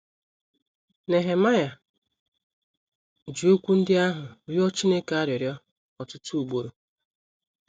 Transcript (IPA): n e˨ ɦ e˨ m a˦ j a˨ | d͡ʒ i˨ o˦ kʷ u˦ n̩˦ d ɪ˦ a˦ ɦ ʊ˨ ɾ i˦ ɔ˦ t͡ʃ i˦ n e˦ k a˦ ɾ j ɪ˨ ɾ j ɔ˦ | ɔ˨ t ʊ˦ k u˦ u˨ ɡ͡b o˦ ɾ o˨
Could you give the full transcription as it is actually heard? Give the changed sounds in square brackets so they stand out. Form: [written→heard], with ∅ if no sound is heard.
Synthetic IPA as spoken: n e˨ ɦ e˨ m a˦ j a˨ | d͡ʒ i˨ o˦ kʷ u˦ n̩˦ d ɪ˦ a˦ ɦ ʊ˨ ɾ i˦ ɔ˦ t͡ʃ i˦ n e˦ k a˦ ɾ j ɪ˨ ɾ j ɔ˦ | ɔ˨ t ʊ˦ [k→t] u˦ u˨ ɡ͡b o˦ ɾ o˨